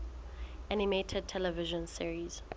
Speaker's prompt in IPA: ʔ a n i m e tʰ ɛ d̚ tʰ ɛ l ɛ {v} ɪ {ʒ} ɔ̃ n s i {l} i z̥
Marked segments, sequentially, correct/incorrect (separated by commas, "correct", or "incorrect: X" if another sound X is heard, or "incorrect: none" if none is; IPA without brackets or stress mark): correct, correct, incorrect: ɹ